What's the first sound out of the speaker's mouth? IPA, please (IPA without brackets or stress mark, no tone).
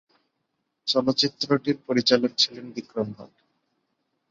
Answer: t͡ɕ